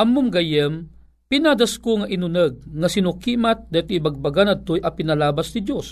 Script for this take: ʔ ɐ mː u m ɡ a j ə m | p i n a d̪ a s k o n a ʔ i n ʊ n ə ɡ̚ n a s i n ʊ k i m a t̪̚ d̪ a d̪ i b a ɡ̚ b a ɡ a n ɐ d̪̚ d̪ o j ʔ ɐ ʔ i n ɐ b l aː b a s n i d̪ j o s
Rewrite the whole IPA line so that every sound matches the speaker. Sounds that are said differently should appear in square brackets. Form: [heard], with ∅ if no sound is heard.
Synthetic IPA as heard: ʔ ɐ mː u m ɡ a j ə m | p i n a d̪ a s k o [ŋ] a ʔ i n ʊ n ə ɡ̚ [ŋ] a s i n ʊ k i m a t̪̚ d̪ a [t̪] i b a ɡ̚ b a ɡ a n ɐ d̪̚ [t̪] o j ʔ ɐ [p] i n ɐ [∅] l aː b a s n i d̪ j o s